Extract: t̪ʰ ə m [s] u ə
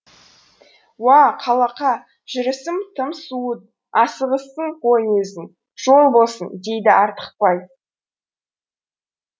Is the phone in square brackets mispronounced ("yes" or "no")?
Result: no